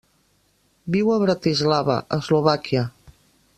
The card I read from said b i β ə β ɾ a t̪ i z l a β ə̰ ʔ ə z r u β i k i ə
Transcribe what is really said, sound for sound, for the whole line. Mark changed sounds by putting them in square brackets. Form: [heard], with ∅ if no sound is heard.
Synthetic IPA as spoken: b i [w] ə β ɾ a t̪ i z l a β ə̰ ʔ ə z [l] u β [a] k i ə